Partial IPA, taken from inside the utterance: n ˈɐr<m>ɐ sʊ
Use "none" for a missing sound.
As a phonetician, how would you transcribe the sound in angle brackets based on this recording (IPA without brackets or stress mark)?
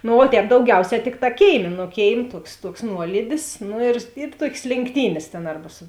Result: b